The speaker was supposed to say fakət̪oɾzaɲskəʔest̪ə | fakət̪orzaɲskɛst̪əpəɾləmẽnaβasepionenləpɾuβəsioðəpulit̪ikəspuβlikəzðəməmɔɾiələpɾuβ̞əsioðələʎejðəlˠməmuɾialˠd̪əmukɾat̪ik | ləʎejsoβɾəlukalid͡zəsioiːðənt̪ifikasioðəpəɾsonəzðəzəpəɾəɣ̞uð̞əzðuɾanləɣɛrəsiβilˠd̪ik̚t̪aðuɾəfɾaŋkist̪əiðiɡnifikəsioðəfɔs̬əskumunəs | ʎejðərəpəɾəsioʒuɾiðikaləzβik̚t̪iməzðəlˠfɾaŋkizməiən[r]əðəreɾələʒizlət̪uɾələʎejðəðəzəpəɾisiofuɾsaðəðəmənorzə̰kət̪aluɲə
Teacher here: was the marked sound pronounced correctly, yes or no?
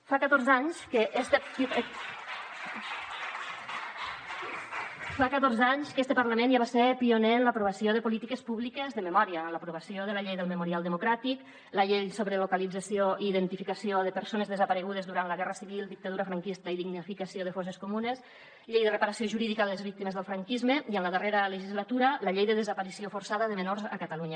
no